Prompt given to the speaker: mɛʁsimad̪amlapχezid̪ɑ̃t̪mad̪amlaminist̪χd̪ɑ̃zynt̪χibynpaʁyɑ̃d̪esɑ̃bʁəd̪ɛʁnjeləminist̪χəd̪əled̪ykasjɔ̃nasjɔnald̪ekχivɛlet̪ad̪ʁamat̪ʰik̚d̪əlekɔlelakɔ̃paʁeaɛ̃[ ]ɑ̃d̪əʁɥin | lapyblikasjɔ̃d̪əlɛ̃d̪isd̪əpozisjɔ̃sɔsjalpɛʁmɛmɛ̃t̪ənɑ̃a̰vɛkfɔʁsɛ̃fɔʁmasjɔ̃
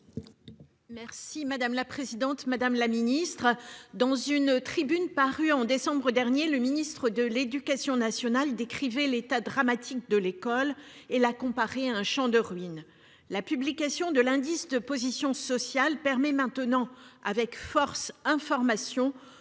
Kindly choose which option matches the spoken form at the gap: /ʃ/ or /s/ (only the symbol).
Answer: ʃ